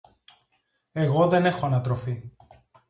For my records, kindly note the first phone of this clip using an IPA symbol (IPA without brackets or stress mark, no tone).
e̞